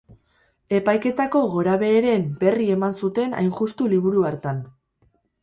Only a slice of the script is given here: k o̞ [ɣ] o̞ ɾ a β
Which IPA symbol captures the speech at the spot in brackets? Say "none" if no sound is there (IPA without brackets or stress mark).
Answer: ɣ